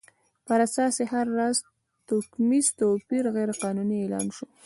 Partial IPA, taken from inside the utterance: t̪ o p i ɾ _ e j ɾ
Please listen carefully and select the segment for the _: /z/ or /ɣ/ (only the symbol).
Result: ɣ